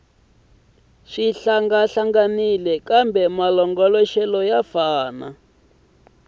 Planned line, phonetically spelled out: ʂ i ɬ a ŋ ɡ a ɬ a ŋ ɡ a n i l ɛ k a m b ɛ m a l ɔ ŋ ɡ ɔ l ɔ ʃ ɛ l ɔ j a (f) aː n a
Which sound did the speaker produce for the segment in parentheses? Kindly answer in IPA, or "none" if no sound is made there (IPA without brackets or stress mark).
f